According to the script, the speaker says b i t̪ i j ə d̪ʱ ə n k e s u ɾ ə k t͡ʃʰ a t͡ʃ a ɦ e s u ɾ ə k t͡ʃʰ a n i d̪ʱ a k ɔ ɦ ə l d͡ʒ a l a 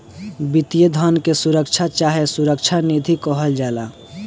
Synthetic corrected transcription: b i t̪ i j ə d̪ʱ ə n k e s u ɾ ə k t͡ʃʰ a t͡ʃ a ɦ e s u ɾ ə k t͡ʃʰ a n i d̪ʱ i k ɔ ɦ ə l d͡ʒ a l a